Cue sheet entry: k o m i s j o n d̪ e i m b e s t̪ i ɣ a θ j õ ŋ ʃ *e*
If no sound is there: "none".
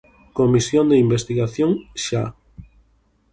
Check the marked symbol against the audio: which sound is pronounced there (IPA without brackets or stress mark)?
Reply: a